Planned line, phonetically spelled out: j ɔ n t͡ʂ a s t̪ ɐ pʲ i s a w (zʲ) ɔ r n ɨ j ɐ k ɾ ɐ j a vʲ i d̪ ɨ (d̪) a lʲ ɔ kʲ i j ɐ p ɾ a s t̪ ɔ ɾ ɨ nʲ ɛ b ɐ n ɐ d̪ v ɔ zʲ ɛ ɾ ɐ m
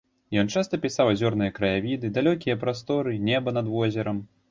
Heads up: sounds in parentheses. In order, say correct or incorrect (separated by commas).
correct, correct